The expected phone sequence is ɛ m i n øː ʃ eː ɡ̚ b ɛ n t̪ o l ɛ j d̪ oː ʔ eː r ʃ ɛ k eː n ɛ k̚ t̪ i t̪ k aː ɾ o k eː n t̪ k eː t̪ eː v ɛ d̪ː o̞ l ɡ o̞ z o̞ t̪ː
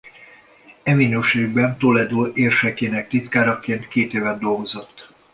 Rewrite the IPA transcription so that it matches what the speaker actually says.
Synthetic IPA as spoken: ɛ m i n øː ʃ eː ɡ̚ b ɛ n t̪ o l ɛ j d̪ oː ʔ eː r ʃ ɛ k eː n ɛ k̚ t̪ i t̪ k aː ɾ ɒ k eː n t̪ k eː t̪ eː v ɛ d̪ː o̞ l ɡ o̞ z o̞ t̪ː